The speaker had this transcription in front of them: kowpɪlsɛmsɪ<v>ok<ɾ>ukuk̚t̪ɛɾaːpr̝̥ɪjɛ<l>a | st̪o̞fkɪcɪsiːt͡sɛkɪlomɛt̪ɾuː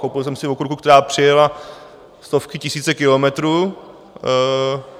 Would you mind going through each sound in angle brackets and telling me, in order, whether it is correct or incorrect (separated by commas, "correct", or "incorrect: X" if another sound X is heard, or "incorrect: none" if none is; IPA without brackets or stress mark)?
correct, correct, correct